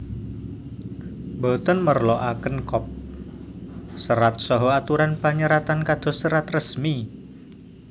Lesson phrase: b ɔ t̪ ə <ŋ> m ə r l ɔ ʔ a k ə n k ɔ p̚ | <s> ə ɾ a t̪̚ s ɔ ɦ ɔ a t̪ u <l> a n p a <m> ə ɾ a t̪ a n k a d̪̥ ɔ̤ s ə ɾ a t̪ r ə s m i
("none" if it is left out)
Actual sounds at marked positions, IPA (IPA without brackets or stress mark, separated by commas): n, s, ɾ, ɲ